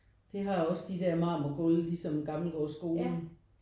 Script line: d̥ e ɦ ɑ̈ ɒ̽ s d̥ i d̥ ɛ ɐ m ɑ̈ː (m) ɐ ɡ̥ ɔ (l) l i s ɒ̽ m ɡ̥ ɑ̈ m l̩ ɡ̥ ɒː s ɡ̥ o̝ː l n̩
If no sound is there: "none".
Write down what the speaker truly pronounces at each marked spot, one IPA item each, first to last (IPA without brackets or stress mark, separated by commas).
m, l